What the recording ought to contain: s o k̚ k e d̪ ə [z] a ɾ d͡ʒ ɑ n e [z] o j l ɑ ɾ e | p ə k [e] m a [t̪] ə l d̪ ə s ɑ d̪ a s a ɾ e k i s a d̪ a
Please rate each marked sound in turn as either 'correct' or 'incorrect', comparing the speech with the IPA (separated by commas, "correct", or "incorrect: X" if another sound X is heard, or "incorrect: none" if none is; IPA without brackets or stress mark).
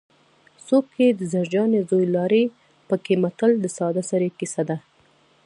correct, correct, correct, correct